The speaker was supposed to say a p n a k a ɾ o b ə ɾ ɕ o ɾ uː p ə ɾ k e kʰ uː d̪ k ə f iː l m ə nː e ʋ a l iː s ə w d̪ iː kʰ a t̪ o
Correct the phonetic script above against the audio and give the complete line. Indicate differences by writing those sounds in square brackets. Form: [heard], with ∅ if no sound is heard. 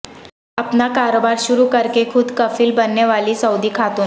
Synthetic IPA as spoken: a p n a k a ɾ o b [a] ɾ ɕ [u] ɾ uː [k] ə ɾ k e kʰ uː d̪ k ə f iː l [b] ə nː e ʋ a l iː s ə w d̪ iː kʰ a t̪ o